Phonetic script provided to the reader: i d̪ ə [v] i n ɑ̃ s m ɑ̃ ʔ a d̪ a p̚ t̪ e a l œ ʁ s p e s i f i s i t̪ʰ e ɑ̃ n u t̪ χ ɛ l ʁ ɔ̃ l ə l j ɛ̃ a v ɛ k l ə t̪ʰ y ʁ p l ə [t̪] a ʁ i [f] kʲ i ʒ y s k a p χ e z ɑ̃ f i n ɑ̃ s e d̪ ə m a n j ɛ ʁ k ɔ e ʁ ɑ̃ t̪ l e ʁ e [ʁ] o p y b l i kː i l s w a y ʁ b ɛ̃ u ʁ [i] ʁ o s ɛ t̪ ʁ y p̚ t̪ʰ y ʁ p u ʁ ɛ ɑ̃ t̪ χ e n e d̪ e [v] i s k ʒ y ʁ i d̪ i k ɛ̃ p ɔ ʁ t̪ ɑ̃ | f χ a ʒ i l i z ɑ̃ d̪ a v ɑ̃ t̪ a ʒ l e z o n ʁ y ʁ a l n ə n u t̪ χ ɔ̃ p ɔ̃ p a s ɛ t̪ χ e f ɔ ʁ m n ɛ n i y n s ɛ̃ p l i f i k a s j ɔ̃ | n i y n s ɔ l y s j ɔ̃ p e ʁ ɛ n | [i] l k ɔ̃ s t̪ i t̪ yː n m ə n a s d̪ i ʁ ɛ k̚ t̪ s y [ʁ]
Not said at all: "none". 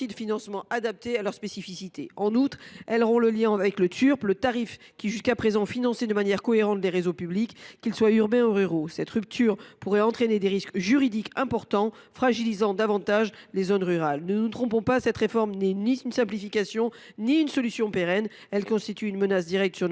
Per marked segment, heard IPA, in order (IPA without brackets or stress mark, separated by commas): f, t̪, f, z, y, ʁ, ɛ, ʁ